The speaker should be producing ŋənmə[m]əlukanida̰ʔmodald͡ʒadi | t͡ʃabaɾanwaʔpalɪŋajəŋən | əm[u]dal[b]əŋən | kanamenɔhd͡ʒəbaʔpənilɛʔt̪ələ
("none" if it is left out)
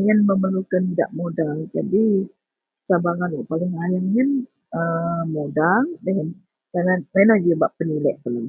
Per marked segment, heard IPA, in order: m, o, d

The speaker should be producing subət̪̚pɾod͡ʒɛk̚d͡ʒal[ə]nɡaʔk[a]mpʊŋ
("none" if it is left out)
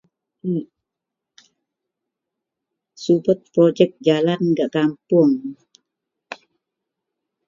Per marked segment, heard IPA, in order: a, a

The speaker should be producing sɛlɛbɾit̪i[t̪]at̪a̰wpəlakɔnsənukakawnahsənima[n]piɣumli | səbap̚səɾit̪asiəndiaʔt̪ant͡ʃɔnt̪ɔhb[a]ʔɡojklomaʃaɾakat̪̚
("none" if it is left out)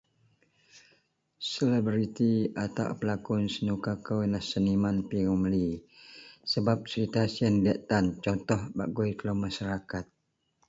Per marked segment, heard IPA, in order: none, n, a

